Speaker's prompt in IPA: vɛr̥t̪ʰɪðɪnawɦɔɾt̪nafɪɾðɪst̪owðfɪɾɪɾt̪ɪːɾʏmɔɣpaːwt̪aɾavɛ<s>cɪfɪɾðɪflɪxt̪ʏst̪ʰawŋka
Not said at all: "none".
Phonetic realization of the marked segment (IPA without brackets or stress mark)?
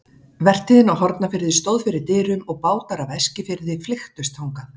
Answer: s